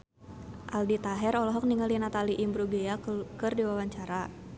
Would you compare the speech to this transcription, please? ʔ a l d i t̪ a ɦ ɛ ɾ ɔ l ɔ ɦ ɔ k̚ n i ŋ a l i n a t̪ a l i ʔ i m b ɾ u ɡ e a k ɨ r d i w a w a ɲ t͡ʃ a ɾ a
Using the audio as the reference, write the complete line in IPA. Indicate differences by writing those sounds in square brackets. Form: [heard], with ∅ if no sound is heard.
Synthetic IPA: ʔ a l d i t̪ a ɦ ɛ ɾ ɔ l ɔ ɦ ɔ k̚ n i ŋ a l i n a t̪ a l i ʔ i m b ɾ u ɡ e a k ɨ r d i w a w a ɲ t͡ʃ a ɾ a